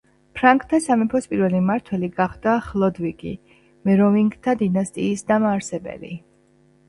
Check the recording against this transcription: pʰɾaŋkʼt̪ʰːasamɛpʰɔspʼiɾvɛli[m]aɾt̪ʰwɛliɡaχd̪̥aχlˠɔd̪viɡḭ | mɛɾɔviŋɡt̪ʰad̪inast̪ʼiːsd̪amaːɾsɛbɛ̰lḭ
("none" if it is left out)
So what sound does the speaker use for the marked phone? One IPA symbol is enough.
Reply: m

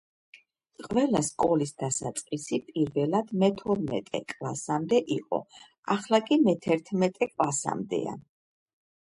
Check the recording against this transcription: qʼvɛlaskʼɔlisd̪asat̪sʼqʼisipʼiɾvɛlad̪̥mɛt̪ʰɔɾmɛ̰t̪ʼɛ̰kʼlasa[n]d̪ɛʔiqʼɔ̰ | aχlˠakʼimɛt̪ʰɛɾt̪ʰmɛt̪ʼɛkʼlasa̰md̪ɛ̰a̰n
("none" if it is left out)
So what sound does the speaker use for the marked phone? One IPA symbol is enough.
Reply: m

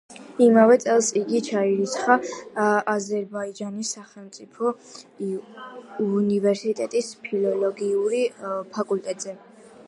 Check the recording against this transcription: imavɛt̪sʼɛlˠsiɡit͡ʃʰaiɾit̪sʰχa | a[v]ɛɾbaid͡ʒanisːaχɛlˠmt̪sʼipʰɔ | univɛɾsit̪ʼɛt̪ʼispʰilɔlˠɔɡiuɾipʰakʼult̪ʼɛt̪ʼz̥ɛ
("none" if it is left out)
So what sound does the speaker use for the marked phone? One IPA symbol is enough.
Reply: z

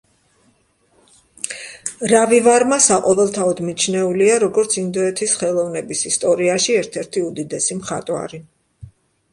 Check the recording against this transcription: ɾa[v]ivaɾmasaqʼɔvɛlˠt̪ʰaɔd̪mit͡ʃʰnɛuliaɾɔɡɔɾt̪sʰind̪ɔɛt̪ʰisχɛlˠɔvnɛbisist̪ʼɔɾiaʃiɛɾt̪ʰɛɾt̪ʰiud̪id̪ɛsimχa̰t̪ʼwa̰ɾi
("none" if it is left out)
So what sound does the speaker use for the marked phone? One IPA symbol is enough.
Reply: v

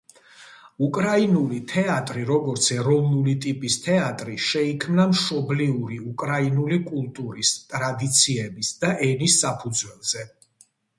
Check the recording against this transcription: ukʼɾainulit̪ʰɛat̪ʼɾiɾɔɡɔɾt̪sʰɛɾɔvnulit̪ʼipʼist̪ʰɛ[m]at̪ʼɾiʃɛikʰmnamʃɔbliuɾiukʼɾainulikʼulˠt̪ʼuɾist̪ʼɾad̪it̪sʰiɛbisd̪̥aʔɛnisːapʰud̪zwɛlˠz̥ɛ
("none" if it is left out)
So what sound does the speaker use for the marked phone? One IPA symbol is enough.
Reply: none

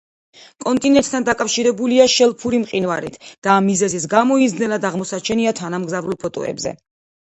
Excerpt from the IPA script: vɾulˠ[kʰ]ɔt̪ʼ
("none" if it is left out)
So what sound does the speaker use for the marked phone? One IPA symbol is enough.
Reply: pʰ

